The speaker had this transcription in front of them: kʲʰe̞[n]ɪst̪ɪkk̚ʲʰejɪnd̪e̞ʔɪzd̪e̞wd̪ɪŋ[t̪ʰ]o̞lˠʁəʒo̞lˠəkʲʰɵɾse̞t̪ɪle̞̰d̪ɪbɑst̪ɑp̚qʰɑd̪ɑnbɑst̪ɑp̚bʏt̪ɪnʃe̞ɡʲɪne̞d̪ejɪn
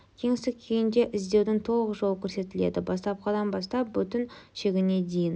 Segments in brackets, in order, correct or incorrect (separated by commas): incorrect, correct